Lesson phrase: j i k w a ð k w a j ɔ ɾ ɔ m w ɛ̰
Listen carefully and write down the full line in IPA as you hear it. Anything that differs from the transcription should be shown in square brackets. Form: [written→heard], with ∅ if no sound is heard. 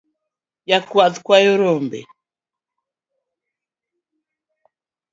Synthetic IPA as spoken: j [i→a] k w a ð k w a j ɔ ɾ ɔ m [w→b] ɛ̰